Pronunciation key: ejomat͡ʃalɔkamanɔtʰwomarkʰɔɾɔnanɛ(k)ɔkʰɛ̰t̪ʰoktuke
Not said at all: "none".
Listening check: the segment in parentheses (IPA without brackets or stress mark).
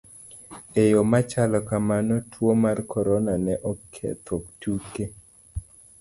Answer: ʔ